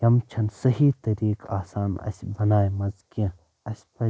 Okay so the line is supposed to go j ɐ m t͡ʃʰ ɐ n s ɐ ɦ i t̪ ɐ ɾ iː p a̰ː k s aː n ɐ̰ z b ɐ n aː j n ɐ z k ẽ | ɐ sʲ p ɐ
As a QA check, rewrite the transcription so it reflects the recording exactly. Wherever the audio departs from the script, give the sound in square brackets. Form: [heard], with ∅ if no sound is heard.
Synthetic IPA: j ɐ m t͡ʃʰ ɐ n s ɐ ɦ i t̪ ɐ ɾ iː [k] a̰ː [∅] s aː n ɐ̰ [s] b ɐ n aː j [m] ɐ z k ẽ | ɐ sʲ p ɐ